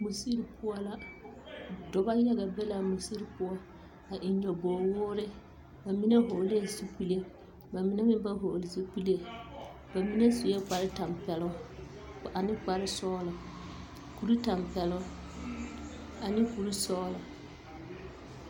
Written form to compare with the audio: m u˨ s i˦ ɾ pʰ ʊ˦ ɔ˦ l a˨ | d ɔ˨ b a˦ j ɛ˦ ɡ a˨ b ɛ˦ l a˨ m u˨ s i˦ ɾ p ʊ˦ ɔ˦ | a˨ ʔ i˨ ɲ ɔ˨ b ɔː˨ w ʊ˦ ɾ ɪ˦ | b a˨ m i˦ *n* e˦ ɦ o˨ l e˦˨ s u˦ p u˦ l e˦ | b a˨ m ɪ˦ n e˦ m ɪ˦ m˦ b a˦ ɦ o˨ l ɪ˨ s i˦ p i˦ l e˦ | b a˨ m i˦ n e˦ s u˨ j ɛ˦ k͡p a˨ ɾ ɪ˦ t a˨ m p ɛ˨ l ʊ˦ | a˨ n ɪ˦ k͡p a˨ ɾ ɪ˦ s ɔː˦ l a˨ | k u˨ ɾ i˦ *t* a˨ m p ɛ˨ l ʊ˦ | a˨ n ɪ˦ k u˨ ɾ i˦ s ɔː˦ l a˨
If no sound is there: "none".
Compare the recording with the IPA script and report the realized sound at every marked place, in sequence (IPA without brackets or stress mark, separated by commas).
n, t